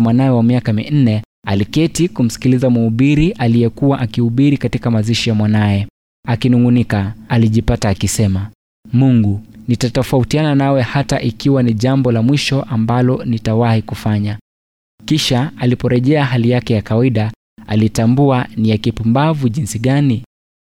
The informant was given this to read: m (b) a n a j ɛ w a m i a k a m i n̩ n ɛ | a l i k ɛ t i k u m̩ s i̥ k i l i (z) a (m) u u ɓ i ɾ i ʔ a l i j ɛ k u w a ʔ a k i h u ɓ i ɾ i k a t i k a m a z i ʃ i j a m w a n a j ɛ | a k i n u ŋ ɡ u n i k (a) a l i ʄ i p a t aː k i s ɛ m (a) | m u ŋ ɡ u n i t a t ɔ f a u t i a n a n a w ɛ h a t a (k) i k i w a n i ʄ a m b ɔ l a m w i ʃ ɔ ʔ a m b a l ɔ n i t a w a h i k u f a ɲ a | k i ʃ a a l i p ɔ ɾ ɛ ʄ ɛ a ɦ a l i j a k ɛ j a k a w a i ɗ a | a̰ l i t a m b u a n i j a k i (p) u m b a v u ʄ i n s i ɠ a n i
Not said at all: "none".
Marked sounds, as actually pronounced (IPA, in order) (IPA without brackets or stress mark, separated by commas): w, z, m, a, a, ʔ, p